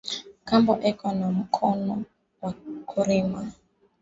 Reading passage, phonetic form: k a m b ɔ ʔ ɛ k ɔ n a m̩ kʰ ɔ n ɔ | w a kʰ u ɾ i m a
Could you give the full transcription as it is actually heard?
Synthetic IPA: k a m b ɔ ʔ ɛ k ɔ n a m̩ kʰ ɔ n ɔ | w a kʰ u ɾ i m a